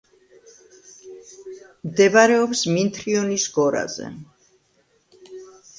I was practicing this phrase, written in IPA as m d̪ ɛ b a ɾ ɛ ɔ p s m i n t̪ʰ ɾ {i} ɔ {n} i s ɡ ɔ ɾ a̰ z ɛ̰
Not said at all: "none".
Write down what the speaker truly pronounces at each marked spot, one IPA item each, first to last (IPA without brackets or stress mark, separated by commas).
i, n